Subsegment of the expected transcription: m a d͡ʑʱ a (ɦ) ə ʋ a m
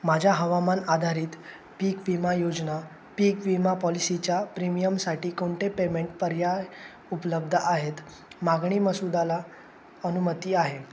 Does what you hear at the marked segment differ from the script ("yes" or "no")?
no